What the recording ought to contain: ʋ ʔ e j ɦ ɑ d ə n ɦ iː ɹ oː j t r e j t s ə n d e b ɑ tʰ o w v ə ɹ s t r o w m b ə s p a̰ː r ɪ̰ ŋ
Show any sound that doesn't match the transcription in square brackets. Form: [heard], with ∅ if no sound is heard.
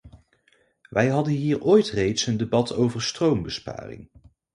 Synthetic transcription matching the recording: ʋ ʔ [ɛ] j ɦ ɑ d ə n ɦ iː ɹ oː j t r e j t s ə n d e b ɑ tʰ o w v ə ɹ s t r o w m b ə s p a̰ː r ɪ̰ ŋ